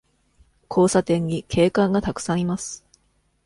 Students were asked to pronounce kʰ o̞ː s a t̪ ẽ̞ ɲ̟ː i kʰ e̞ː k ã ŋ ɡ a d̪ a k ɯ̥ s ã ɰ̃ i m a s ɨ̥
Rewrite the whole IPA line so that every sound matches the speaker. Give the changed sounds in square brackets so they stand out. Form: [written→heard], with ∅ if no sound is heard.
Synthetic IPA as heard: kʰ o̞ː s a t̪ ẽ̞ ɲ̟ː i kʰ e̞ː k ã ŋ ɡ a [d̪→t̪] a k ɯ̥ s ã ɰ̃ i m a s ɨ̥